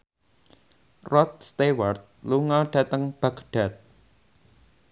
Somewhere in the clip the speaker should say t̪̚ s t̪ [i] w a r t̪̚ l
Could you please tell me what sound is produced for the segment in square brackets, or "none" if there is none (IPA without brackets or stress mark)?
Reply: e